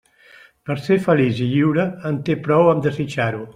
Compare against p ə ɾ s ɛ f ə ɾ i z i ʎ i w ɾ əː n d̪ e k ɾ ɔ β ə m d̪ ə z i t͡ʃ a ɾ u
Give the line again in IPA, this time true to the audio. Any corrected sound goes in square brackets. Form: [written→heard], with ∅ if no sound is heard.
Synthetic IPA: p ə ɾ s [ɛ→e] f ə [ɾ→l] i z i ʎ i w ɾ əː n [d̪→t̪] e [k→p] ɾ ɔ [β→w] ə m d̪ ə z i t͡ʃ a ɾ u